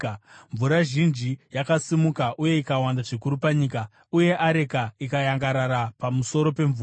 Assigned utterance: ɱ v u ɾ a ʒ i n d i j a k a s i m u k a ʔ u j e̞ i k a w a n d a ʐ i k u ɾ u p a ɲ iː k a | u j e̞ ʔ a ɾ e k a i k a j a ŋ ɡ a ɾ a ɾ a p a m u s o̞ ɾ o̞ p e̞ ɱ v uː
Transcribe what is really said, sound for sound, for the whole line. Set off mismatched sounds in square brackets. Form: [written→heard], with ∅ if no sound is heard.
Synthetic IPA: ɱ v u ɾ a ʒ i n [d→d͡ʒ] i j a k a s i m u k a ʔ u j e̞ i k a w a n d a ʐ i k u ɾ u p a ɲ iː k a | u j e̞ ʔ a ɾ e k a i k a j a ŋ ɡ a ɾ a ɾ a p a m u s o̞ ɾ o̞ p e̞ ɱ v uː

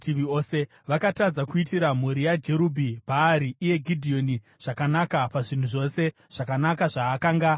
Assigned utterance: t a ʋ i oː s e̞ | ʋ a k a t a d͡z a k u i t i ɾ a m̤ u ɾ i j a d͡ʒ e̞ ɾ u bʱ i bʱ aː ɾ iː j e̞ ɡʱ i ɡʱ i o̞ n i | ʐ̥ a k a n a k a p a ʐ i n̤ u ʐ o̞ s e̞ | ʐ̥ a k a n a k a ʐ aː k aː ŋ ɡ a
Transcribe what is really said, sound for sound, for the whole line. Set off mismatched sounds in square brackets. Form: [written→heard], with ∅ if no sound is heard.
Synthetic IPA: t [a→i] ʋ i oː s e̞ | ʋ a k a t a d͡z a k u i t i ɾ a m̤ u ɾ i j a d͡ʒ e̞ ɾ u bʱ i bʱ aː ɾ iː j e̞ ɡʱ i [ɡʱ→dʱ] i o̞ n i | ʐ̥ a k a n a k a p a ʐ i n̤ u ʐ o̞ s e̞ | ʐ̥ a k a n a k a ʐ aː k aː ŋ ɡ a

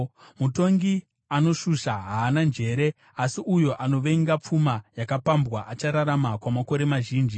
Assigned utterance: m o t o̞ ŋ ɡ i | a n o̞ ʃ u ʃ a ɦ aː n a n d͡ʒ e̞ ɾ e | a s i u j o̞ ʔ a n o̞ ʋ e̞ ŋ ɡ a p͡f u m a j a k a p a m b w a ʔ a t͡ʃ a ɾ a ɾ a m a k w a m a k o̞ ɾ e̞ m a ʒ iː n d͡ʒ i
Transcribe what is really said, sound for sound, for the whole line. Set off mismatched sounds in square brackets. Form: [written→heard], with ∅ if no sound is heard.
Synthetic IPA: m [o→u] t o̞ ŋ ɡ i | a n o̞ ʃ u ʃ a ɦ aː n a n d͡ʒ e̞ ɾ e | a s i u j o̞ ʔ a n o̞ ʋ e̞ ŋ ɡ a p͡f u m a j a k a p a m b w a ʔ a t͡ʃ a ɾ a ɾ a m a k w a m a k o̞ ɾ e̞ m a ʒ iː n d͡ʒ i

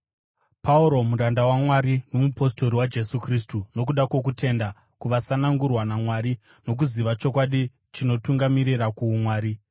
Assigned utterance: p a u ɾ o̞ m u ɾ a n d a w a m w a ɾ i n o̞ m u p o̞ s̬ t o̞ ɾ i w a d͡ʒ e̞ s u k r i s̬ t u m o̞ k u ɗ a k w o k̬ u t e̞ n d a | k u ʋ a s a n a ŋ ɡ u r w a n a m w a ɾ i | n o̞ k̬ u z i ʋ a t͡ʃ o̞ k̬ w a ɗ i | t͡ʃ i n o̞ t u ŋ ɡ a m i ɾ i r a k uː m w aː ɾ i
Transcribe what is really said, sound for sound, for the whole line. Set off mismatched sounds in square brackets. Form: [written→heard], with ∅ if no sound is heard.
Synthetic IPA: p a u ɾ o̞ m u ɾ a n d a w a m w a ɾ i n o̞ m u p o̞ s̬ t o̞ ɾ i w a d͡ʒ e̞ s u k r i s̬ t u [m→n] o̞ k u ɗ a k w o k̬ u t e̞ n d a | k u ʋ a s a n a ŋ ɡ u r w a n a m w a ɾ i | n o̞ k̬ u z i ʋ a t͡ʃ o̞ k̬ w a ɗ i | t͡ʃ i n o̞ t u ŋ ɡ a m i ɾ i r a k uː m w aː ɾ i

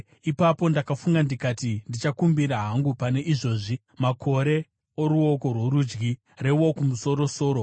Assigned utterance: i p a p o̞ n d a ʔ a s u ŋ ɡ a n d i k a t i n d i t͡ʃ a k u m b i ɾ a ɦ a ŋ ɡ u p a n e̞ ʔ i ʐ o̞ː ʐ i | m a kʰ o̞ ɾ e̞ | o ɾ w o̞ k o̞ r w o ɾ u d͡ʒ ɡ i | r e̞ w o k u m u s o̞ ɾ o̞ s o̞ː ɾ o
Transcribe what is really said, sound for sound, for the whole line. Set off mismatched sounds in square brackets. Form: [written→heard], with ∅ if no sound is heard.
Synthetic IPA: i p a p o̞ n d a [ʔ→k] a [s→f] u ŋ ɡ a n d i k a t i n d i t͡ʃ a k u m b i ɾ a ɦ a ŋ ɡ u p a n e̞ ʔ i ʐ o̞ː ʐ i | m a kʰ o̞ ɾ e̞ | o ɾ [w→u] o̞ k o̞ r w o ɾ u d͡ʒ ɡ i | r e̞ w o k u m u s o̞ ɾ o̞ s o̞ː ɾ o

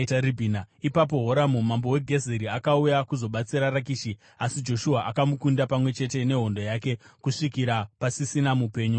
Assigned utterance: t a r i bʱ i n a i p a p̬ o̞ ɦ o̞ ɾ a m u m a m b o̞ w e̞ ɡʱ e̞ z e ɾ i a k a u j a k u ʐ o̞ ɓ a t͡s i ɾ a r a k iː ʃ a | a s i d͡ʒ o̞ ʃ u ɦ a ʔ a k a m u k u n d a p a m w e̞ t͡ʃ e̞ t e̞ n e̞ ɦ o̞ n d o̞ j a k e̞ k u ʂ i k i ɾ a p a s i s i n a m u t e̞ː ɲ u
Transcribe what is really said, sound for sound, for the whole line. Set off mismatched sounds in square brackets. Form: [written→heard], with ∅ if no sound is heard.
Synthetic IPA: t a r i bʱ i n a i p a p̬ o̞ ɦ o̞ ɾ a m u m a m b o̞ w e̞ ɡʱ e̞ z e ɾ i a k a u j a k u [ʐ→z] o̞ ɓ a t͡s i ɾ a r a k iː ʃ [a→i] | a s i d͡ʒ o̞ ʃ u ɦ a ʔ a k a m u k u n d a p a m w e̞ t͡ʃ e̞ t e̞ n e̞ ɦ o̞ n d o̞ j a k e̞ k u ʂ i k i ɾ a p a s i s i n a m u [t→p] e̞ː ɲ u

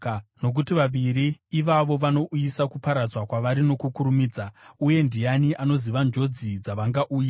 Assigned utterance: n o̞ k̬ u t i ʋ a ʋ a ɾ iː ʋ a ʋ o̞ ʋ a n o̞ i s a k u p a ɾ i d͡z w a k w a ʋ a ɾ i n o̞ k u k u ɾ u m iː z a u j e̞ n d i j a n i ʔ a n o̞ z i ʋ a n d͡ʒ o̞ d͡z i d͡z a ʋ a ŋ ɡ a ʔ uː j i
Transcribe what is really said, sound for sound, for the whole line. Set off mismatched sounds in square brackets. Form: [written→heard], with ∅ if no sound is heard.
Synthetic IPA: n o̞ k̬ u t i ʋ a ʋ [a→i] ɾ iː ʋ a ʋ o̞ ʋ a n o̞ i s a k u p a ɾ [i→a] d͡z w a k w a ʋ a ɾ i n o̞ k u k u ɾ u m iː [z→d͡z] a u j e̞ n d i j a n i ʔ a n o̞ z i ʋ a n d͡ʒ o̞ d͡z i d͡z a ʋ a ŋ ɡ a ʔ uː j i

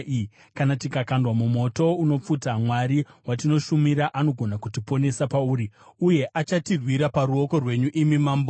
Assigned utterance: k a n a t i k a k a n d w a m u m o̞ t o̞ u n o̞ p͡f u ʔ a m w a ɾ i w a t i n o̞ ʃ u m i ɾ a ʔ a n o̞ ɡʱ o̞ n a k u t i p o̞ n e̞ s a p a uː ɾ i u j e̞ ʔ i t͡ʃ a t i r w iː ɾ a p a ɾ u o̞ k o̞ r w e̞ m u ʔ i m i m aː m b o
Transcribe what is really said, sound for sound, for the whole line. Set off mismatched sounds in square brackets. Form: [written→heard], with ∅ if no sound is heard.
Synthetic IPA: k a n a t i k a k a n d w a m u m o̞ t o̞ u n o̞ p͡f u [ʔ→t] a m w a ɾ i w a t i n o̞ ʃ u m i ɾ a ʔ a n o̞ ɡʱ o̞ n a k u t i p o̞ n e̞ s a p a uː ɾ i u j e̞ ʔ [i→a] t͡ʃ a t i r w [iː→i] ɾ a p a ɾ u o̞ k o̞ r w e̞ [m→ɲ] u ʔ i m i m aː m b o

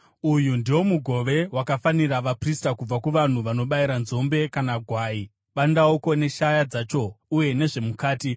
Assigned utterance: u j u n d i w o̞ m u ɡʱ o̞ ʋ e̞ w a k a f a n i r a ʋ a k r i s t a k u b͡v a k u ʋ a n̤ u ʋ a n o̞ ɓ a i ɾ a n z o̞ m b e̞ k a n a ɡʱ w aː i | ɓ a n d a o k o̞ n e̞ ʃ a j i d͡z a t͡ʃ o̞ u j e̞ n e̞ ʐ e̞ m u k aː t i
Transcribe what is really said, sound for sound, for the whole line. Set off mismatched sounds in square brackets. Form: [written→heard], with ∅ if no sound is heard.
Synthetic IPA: u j u n d i w o̞ m u ɡʱ o̞ ʋ e̞ w a k a f a n i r a ʋ a [k→p] r i s t a k u b͡v a k u ʋ a n̤ u ʋ a n o̞ ɓ a i ɾ a n z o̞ m b e̞ k a n a ɡʱ w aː i | ɓ a n d a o k o̞ n e̞ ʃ a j [i→a] d͡z a t͡ʃ o̞ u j e̞ n e̞ ʐ e̞ m u k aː t i

